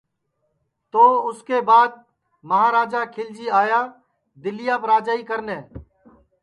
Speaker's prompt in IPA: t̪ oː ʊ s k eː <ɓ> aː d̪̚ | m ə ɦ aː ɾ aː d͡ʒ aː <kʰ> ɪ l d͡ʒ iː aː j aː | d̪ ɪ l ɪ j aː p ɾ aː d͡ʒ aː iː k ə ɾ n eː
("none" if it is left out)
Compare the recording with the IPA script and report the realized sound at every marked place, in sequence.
b, kʰ

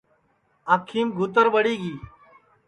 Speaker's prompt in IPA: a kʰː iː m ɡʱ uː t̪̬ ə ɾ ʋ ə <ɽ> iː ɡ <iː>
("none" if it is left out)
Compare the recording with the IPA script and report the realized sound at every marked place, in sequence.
ɽ, iː

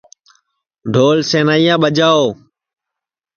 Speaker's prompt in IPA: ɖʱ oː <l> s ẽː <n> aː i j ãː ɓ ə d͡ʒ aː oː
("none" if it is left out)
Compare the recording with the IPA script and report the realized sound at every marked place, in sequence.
l, n

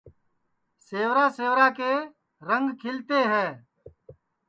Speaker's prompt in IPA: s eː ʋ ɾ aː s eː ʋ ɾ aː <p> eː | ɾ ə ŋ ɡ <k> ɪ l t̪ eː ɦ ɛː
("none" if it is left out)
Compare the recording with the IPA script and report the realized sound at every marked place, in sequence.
k, kʰ

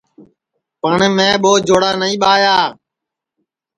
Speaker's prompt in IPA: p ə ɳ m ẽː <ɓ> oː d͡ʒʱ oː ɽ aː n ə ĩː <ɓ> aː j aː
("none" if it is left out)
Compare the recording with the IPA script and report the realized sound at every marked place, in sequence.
ɓ, ɓ

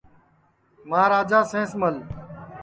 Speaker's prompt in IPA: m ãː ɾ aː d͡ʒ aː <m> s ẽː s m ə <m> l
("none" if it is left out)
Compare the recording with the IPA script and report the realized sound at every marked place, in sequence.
none, none

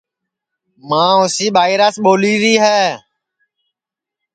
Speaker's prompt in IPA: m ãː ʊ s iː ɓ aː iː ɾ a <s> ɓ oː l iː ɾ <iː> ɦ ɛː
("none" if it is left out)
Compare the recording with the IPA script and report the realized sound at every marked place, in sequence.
s, iː

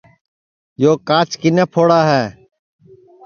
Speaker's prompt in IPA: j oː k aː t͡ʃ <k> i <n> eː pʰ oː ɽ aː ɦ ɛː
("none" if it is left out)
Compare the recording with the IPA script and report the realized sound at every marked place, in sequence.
k, n

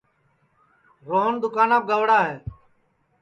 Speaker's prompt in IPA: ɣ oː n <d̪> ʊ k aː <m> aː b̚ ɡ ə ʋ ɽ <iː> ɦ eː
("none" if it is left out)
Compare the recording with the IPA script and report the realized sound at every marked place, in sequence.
d̪, n, aː

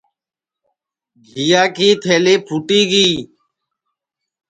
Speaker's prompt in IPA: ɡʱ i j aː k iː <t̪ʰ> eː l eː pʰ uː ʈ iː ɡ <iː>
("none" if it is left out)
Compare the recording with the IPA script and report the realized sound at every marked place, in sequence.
t̪ʰ, iː

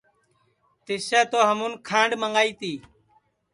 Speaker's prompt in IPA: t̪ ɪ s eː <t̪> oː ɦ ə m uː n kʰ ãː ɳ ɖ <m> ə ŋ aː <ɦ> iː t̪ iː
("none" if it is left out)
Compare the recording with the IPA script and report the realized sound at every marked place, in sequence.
t̪, m, none

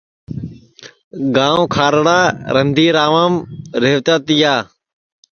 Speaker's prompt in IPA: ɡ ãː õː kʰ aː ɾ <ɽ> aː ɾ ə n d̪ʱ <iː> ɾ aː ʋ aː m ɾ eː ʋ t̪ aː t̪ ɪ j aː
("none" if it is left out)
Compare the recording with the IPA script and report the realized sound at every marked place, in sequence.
ɽ, iː

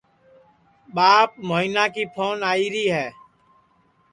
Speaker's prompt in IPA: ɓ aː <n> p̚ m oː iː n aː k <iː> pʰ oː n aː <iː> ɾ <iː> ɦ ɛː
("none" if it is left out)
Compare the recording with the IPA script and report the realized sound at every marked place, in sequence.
none, iː, iː, iː

